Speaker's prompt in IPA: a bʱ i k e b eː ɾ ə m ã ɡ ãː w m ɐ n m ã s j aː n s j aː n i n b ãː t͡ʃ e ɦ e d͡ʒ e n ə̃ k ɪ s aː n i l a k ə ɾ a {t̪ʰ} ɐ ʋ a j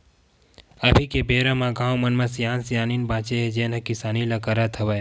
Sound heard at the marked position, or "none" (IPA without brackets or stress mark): t̪ʰ